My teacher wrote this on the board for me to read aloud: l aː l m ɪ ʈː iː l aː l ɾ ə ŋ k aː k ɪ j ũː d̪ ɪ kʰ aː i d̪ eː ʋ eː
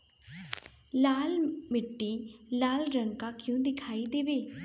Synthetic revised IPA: l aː l m ɪ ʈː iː l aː l ɾ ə ŋ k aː k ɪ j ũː d̪ ɪ kʰ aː i d̪ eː ʋ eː